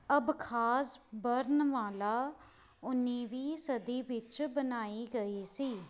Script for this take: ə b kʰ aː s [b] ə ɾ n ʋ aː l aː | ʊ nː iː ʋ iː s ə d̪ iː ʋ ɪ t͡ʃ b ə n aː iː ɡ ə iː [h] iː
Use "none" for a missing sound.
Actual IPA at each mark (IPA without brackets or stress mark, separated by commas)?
b, s